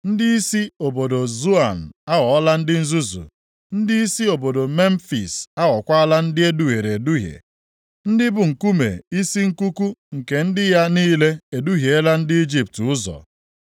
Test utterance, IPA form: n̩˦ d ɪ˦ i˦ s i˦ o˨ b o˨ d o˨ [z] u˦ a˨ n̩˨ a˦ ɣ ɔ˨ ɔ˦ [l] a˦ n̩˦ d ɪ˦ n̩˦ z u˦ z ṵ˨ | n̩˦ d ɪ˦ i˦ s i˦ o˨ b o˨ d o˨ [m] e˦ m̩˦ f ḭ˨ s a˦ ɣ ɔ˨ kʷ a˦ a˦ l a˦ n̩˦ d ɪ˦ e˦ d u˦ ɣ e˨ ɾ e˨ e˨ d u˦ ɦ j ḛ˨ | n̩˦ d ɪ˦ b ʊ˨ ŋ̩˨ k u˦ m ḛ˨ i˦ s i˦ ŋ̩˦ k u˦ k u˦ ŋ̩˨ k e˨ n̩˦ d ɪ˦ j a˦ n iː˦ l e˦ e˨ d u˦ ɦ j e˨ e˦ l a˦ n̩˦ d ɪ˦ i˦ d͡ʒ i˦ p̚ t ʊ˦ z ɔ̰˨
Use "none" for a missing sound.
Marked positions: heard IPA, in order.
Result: z, l, m

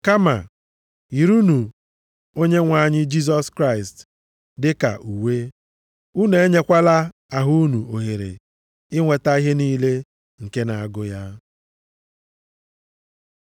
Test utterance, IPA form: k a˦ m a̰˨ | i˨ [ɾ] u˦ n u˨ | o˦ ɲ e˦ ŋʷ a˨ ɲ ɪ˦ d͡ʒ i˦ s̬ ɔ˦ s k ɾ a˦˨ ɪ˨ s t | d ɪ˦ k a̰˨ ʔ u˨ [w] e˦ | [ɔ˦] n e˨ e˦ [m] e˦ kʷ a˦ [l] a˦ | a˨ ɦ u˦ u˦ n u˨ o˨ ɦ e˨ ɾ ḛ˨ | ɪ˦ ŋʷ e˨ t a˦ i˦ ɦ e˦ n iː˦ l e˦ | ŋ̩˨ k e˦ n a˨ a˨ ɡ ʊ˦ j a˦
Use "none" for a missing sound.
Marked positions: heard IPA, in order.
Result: ɾ, w, u˦, ɲ, l

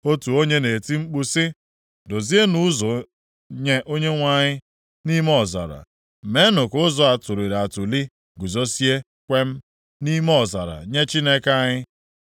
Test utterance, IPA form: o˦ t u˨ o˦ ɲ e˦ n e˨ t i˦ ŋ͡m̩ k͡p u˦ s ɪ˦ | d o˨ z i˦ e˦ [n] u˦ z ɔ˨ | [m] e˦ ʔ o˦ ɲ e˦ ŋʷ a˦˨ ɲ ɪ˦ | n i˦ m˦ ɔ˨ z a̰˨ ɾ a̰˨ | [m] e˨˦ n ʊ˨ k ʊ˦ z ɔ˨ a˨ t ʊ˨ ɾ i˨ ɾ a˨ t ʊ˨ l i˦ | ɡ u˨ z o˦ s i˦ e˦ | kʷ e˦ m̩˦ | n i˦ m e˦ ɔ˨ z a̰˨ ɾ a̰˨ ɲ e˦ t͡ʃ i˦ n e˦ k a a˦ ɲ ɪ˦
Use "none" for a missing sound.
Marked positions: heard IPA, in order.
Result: n, ɲ, m

